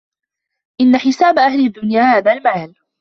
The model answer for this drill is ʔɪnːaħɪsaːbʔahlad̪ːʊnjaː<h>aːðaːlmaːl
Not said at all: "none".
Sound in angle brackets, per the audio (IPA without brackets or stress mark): h